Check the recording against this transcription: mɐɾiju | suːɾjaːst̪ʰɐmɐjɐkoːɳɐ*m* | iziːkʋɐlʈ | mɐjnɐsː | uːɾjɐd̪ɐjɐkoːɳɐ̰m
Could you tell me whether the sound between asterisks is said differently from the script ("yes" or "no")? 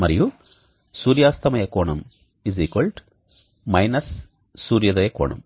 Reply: no